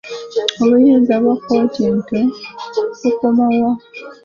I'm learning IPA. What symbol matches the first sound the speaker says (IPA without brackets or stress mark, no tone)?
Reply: o